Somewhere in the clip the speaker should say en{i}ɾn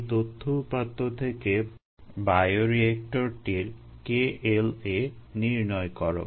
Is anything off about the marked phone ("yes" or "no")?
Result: no